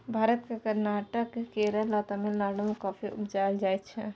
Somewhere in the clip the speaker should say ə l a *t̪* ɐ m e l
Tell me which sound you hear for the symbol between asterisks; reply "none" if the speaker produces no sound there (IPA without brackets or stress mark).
t̪